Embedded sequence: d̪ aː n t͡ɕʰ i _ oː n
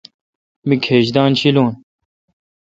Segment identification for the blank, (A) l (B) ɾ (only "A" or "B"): A